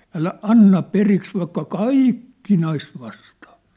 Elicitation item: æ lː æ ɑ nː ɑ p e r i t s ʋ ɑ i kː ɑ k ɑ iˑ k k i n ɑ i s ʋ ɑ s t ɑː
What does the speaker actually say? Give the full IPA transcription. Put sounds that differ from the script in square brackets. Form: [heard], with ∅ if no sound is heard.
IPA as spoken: æ [l] æ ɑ nː ɑ p e r i [k] s ʋ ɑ i kː ɑ k ɑ iˑ k k i n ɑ i s ʋ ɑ s t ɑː